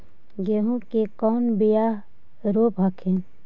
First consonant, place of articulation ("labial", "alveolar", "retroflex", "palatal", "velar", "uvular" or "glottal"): velar